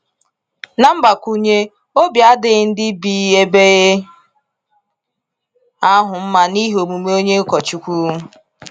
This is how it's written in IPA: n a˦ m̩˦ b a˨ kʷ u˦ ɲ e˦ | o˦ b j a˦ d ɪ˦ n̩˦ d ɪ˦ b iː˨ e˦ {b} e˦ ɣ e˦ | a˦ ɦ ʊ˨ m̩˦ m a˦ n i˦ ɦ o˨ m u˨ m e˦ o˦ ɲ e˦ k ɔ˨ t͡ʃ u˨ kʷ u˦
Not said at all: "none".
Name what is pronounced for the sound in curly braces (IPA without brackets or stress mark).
b